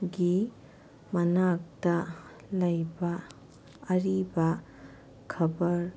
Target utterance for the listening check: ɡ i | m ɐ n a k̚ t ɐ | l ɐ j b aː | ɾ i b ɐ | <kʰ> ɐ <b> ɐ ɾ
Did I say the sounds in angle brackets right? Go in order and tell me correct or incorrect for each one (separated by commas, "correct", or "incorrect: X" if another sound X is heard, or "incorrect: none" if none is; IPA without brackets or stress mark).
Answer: correct, correct